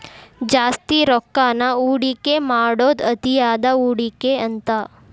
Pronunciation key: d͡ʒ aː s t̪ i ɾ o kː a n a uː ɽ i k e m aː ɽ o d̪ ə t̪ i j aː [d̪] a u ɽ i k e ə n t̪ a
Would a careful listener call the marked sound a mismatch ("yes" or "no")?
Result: no